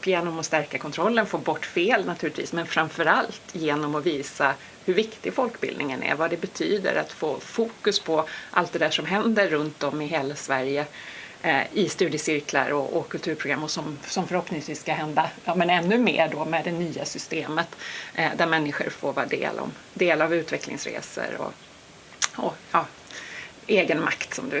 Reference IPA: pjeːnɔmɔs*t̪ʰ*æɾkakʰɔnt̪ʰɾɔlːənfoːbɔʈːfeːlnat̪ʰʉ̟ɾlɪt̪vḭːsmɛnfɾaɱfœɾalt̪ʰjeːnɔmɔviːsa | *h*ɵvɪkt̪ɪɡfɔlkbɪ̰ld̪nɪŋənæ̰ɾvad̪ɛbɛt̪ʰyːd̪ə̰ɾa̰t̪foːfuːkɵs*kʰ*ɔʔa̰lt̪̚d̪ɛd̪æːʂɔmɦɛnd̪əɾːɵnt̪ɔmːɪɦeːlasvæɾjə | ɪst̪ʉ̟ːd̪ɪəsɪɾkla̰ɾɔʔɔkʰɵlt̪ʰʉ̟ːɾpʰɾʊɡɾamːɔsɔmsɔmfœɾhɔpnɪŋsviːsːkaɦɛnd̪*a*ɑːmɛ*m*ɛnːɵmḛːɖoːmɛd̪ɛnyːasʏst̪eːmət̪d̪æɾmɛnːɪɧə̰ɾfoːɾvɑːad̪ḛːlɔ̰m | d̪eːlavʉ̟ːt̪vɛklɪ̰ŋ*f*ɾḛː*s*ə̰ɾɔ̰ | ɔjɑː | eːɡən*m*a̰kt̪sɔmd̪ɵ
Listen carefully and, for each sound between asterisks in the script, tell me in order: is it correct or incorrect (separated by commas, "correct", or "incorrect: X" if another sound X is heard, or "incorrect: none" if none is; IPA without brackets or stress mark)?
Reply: incorrect: t̪, correct, incorrect: pʰ, correct, incorrect: n, incorrect: s, correct, correct